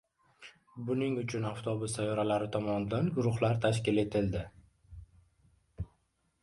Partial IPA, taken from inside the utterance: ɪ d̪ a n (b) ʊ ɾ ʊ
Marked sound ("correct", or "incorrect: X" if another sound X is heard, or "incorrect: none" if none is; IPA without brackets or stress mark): incorrect: ɡ